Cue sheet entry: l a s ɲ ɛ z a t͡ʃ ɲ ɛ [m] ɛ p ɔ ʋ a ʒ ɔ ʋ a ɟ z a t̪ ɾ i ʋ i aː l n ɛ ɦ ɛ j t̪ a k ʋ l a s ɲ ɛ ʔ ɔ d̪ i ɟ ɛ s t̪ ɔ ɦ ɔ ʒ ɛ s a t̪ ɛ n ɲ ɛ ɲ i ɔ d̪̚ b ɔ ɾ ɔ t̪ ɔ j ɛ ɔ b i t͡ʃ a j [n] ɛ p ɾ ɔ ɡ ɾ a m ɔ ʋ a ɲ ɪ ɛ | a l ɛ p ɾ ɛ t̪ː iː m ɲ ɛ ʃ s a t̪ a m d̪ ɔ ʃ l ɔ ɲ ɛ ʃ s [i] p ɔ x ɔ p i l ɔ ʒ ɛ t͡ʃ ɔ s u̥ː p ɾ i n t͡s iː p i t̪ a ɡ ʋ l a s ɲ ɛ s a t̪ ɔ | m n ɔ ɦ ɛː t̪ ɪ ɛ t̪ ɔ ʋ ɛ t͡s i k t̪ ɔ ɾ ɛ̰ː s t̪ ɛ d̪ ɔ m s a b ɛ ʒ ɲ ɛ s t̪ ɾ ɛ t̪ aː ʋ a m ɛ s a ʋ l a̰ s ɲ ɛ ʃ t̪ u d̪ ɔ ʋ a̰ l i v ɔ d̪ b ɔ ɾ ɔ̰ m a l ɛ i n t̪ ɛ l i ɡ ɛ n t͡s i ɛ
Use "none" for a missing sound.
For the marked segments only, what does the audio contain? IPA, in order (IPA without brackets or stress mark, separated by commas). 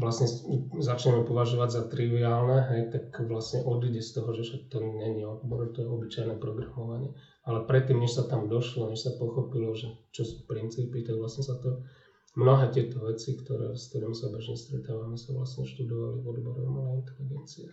m, n, a